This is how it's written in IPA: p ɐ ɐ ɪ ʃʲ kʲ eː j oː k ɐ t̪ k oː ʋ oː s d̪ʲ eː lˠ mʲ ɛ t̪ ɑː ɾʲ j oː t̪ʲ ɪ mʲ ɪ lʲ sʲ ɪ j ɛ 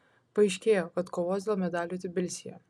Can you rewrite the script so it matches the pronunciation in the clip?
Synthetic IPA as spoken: p ɐ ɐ ɪ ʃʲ kʲ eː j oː k ɐ t̪ k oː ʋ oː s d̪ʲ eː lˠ mʲ ɛ d̪ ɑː lʲ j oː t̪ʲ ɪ bʲ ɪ lʲ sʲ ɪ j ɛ